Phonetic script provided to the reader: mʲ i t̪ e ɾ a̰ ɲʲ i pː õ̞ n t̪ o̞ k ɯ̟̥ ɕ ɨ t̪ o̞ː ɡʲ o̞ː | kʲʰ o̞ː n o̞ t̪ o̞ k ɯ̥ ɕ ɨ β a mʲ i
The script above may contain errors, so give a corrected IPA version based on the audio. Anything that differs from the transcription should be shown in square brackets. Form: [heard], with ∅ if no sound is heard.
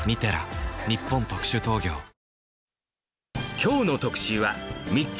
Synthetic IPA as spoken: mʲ i t̪ e ɾ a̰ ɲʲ i pː õ̞ n t̪ o̞ k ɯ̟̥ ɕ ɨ t̪ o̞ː ɡʲ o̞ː | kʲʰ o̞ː n o̞ t̪ o̞ k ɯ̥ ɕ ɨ β a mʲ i